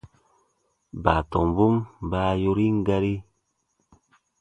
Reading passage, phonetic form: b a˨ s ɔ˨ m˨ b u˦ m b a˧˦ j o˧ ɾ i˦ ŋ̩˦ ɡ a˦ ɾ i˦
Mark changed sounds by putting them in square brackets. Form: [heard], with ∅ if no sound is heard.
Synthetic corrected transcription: b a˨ [t] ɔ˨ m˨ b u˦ m b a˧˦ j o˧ ɾ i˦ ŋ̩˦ ɡ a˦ ɾ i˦